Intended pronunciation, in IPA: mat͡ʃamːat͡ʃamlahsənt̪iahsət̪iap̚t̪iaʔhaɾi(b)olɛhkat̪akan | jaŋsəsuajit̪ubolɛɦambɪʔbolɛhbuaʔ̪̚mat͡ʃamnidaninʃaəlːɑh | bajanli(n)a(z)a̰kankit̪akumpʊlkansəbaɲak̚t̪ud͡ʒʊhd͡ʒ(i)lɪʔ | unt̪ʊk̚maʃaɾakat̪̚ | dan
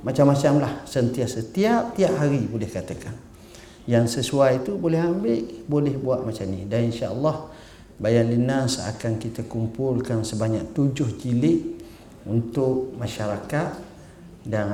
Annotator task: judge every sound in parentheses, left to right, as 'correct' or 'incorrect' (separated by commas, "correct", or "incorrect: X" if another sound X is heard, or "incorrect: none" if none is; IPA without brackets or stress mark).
correct, correct, incorrect: s, correct